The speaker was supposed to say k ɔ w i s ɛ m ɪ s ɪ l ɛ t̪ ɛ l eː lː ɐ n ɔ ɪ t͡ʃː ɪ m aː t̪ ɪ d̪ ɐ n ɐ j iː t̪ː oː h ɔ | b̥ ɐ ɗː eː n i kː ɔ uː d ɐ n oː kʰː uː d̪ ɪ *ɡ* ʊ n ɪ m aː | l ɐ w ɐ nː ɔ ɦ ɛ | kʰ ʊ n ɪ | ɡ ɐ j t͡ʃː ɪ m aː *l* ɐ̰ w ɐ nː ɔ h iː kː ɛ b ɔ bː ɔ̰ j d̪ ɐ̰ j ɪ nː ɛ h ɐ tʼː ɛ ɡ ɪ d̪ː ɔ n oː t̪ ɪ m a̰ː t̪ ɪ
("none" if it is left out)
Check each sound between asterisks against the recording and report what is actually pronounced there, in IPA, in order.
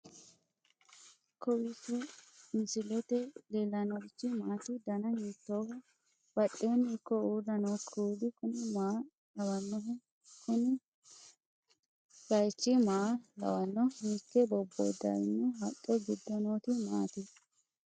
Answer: k, l

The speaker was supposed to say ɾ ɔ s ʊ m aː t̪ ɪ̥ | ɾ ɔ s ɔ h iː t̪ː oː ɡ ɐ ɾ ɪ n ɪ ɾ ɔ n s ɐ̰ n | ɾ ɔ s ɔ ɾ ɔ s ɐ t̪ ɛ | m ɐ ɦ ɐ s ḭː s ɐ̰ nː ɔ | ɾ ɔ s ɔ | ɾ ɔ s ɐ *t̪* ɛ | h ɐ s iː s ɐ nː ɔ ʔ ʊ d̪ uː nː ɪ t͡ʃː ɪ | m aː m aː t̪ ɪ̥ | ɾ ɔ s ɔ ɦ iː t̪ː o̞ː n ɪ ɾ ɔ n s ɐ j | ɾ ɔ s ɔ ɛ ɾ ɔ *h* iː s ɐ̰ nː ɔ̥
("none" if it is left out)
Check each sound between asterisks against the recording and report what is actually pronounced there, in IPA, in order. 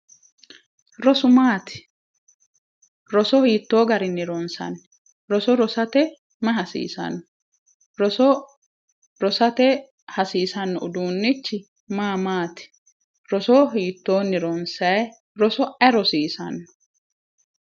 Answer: t̪, s

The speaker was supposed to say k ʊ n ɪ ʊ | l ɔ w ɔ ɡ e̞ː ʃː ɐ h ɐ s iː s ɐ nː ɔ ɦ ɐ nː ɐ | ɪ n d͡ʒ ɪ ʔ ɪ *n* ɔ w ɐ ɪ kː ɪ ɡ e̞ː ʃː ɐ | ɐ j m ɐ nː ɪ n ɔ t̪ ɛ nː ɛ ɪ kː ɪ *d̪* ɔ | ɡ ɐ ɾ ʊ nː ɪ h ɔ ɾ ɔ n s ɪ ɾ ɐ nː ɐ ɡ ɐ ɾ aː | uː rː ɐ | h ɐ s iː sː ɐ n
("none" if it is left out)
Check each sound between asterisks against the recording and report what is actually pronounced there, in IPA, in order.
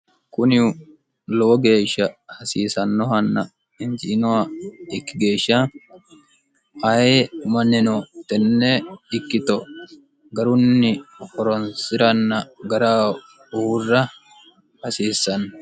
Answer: n, t̪

